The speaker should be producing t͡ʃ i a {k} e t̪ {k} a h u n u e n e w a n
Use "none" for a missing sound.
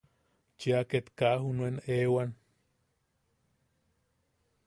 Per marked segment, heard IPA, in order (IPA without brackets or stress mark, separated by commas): k, k